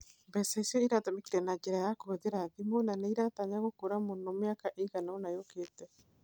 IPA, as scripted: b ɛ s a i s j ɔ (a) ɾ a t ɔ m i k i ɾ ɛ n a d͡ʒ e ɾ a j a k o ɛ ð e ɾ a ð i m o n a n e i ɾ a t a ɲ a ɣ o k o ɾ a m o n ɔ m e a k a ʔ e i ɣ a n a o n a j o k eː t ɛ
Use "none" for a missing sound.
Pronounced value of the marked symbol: i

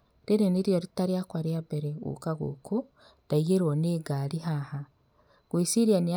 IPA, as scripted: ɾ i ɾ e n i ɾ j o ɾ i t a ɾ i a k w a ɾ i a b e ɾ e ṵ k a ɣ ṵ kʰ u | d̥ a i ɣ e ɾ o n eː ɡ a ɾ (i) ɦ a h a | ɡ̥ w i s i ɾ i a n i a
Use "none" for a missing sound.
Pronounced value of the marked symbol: i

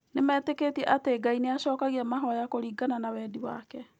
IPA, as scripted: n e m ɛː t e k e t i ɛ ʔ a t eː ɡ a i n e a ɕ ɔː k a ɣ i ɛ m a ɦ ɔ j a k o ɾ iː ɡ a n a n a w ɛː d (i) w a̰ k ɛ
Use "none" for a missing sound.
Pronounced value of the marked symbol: i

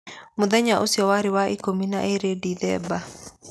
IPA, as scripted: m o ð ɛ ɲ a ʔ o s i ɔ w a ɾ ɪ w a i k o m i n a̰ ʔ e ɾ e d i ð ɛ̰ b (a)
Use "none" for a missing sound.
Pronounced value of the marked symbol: a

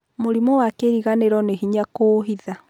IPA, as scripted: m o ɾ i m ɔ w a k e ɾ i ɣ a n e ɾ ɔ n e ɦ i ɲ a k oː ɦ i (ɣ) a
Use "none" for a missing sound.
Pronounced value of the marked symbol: ð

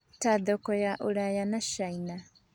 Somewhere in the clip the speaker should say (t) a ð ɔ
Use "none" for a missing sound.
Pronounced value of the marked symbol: t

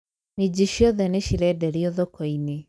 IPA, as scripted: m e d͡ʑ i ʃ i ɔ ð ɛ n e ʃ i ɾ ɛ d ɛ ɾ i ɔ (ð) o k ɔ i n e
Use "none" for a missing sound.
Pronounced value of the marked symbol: ð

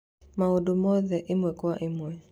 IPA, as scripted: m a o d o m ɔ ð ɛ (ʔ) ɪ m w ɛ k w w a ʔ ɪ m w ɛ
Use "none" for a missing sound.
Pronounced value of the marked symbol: ʔ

